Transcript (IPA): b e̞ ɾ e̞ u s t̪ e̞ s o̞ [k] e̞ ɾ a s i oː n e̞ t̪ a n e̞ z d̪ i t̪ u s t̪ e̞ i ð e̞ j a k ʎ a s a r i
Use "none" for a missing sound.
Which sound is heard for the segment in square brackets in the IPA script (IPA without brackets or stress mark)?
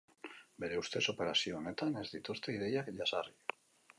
p